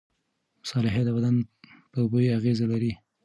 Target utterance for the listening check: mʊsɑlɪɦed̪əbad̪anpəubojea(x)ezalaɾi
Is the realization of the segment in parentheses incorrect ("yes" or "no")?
yes